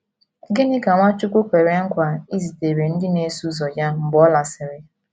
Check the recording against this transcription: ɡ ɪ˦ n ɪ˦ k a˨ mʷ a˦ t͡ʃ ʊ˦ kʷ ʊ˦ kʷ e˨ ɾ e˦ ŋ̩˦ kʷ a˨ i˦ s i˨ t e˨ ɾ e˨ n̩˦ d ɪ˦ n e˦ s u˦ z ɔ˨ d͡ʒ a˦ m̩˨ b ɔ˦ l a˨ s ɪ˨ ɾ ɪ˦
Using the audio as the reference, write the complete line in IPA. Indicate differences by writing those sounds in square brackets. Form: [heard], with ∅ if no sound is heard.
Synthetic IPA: ɡ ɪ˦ n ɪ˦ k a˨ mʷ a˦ t͡ʃ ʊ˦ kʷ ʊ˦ kʷ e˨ ɾ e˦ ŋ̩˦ kʷ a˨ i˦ [z] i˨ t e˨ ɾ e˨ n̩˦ d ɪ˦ n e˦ s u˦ z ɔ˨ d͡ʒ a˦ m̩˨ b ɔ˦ l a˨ s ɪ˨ ɾ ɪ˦